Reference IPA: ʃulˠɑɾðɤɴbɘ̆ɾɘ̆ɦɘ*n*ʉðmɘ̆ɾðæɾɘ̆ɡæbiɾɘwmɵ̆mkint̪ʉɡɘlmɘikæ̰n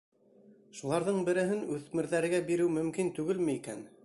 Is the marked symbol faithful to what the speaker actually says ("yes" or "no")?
yes